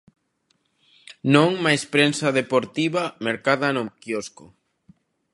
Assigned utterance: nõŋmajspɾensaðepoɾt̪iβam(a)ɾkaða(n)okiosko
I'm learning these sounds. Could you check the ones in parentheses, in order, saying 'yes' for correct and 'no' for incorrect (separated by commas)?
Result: no, yes